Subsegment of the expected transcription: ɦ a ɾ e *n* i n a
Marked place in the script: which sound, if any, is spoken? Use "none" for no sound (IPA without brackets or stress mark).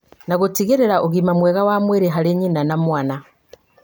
ɲ